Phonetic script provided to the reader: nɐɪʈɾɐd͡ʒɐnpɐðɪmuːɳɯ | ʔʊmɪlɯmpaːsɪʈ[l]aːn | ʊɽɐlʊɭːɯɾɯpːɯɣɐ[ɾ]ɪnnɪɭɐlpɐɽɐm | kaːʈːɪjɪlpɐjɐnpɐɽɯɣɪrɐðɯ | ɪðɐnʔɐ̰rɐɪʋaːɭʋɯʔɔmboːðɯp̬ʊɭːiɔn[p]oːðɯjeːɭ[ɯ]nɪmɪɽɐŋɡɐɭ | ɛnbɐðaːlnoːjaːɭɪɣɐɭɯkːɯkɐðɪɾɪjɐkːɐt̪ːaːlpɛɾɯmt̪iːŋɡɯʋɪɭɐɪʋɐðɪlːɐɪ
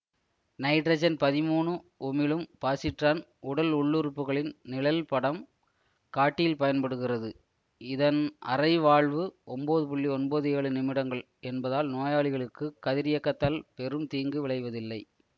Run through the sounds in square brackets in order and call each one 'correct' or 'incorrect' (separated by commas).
incorrect, incorrect, incorrect, correct